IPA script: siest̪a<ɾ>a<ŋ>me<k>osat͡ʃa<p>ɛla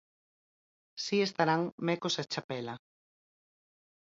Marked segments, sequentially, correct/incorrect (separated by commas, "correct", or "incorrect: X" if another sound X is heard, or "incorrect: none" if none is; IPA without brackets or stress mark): correct, correct, correct, correct